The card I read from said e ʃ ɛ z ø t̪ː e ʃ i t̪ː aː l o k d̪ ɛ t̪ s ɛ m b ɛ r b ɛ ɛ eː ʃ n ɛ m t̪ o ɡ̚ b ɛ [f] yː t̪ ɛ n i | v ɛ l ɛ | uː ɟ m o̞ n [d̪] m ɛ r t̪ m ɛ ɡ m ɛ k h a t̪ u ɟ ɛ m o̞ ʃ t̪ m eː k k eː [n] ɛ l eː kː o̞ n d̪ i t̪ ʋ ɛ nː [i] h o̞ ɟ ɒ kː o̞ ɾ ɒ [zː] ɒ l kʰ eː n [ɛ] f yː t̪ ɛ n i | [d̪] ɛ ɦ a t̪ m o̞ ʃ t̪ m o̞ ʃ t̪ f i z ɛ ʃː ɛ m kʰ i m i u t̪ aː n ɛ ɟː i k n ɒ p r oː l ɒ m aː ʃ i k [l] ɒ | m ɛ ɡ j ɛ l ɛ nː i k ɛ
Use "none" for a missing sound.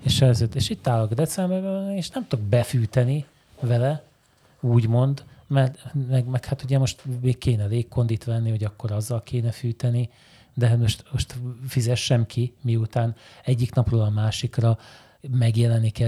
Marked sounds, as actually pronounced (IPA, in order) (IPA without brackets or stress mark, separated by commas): f, d̪, n, i, zː, ɛ, d̪, r